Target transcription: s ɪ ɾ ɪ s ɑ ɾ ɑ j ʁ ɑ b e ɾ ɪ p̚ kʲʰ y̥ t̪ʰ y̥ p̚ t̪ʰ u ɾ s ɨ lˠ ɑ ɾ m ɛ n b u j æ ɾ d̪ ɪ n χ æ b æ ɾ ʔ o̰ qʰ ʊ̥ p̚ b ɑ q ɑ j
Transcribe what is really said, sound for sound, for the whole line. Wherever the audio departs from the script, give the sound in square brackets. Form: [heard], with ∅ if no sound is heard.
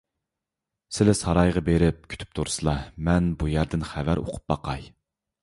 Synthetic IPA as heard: s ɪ [l] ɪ s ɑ ɾ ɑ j ʁ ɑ b e ɾ ɪ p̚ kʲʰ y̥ t̪ʰ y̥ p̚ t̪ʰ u ɾ s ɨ lˠ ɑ [∅] m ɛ n b u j æ ɾ d̪ ɪ n χ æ [v] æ ɾ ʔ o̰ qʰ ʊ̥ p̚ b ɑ q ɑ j